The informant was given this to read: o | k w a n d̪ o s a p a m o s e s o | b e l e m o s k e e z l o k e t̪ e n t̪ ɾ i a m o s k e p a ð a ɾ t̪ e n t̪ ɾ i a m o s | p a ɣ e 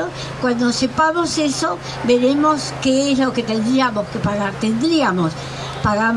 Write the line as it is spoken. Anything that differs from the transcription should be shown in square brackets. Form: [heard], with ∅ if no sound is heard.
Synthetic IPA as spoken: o | k w a n d̪ o s [e] p a m o s e s o | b e [ɾ] e m o s k e e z l o k e t̪ e n [d̪] ɾ i a m o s k e p a [ɣ] a ɾ t̪ e n [d̪] ɾ i a m o s | p a ɣ [a]